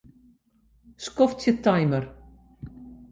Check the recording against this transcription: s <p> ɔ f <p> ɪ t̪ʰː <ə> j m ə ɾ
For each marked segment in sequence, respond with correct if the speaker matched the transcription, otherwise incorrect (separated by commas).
incorrect, incorrect, incorrect